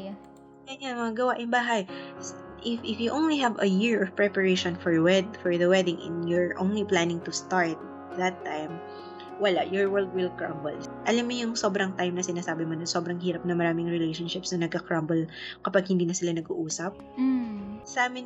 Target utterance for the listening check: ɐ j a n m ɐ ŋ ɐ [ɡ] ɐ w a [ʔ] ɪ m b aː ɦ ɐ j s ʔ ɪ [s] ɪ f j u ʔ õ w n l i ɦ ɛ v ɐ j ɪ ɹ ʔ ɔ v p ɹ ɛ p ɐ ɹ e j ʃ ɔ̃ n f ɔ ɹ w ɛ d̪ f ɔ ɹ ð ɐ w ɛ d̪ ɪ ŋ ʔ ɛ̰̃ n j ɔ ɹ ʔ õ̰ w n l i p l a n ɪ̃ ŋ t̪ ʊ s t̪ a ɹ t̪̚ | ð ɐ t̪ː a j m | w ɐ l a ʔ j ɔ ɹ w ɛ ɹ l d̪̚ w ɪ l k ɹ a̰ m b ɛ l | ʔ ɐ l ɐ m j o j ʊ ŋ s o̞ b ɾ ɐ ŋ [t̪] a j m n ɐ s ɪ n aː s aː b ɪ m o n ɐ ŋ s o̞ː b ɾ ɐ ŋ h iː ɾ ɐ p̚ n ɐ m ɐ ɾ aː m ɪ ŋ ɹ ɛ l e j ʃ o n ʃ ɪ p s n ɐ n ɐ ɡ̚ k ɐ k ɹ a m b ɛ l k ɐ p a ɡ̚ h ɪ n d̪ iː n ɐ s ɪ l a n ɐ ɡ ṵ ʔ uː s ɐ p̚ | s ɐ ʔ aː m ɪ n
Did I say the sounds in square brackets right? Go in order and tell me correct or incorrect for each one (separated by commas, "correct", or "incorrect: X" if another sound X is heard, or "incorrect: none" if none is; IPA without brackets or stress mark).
correct, correct, incorrect: f, correct